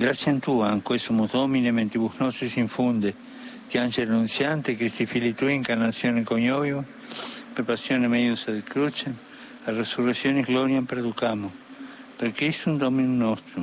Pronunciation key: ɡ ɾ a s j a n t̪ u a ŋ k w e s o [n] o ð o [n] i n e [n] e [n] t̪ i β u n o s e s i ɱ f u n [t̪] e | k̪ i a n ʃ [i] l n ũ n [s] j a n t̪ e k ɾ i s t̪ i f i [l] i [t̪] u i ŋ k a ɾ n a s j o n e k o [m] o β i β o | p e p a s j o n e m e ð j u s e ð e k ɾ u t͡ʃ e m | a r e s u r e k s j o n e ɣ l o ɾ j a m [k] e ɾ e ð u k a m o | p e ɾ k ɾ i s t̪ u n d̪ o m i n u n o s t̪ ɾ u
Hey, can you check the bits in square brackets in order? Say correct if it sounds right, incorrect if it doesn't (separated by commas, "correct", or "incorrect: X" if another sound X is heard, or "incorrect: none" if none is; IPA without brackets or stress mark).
incorrect: m, incorrect: m, incorrect: m, correct, incorrect: d̪, incorrect: e, correct, correct, correct, incorrect: ɲ, incorrect: p